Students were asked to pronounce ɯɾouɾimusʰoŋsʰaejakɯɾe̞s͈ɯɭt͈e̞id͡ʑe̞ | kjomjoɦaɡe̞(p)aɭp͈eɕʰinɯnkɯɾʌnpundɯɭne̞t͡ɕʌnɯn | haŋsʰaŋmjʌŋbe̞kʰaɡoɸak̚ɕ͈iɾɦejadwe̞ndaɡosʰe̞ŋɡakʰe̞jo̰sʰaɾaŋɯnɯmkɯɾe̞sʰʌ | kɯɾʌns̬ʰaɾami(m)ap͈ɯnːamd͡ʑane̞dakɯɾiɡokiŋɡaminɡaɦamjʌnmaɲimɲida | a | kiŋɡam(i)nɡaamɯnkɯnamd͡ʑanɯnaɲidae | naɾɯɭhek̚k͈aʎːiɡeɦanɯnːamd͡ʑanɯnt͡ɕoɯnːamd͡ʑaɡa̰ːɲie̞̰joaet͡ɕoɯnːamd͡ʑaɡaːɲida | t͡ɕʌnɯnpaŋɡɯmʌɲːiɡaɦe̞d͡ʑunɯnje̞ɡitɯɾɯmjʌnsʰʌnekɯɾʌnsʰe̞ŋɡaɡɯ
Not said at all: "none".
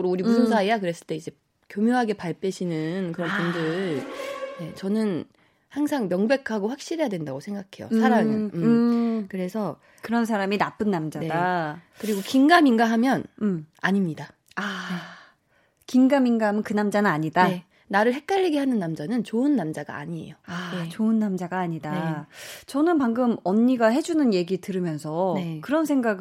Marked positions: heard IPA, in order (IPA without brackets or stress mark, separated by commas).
p, n, i